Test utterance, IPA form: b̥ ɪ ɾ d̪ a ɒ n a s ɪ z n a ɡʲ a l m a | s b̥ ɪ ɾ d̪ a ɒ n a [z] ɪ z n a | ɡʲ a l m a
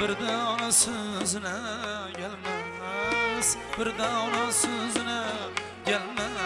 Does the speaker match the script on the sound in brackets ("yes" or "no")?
no